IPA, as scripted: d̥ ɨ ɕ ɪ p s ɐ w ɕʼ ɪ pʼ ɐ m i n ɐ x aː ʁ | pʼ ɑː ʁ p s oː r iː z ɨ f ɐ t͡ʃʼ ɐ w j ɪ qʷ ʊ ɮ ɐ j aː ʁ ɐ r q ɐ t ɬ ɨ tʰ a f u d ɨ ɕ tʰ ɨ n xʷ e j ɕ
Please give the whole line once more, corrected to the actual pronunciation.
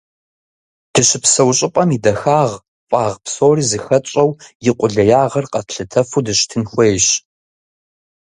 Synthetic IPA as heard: d̥ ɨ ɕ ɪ p s ɐ w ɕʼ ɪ pʼ ɐ m i d ɐ x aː ʁ | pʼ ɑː ʁ p s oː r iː z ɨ x ɐ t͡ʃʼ ɐ w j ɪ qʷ ʊ ɮ ɐ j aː ʁ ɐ r q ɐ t ɬ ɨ tʰ ɐ f u d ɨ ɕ tʰ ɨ n xʷ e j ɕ